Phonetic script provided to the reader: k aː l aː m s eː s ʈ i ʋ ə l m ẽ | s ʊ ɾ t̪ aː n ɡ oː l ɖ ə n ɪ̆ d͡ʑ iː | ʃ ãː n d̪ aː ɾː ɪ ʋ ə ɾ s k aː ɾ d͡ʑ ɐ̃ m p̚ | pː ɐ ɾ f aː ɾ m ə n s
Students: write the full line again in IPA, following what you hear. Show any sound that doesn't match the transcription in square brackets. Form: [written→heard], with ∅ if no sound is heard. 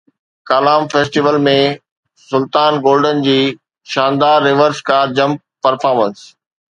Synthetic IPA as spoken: k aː l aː m [s→f] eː s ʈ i ʋ ə l m ẽ | s ʊ [ɾ→l] t̪ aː n ɡ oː l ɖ ə n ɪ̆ d͡ʑ iː | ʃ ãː n d̪ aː ɾː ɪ ʋ ə ɾ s k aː ɾ d͡ʑ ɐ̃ m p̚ | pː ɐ ɾ f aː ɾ m ə n s